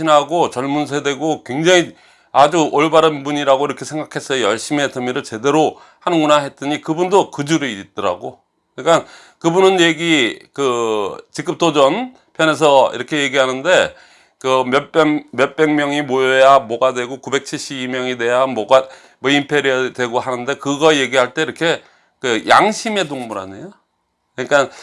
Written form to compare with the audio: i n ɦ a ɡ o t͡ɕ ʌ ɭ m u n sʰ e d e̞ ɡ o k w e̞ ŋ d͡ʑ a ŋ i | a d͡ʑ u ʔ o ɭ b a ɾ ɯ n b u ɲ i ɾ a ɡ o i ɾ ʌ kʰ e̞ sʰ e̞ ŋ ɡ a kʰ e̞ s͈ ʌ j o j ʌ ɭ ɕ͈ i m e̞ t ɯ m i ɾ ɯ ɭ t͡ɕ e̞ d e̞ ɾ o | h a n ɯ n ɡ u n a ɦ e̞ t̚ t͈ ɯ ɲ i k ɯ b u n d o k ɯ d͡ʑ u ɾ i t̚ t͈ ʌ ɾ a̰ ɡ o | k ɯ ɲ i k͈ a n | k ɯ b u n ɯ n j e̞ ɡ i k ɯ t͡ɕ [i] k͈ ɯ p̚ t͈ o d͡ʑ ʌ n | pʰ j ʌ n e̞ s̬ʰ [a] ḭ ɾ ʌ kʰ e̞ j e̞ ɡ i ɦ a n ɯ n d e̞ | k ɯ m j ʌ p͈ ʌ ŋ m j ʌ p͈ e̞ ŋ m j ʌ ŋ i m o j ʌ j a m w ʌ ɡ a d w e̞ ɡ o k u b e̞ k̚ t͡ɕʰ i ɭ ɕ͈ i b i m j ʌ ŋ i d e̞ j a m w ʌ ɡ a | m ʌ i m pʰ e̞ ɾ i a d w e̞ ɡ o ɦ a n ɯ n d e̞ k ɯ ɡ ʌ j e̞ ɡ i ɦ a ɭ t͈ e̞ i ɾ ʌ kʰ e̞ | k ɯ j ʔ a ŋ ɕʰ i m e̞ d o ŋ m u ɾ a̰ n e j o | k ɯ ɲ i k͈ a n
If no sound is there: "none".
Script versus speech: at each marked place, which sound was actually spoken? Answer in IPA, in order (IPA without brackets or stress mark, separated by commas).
i, ʌ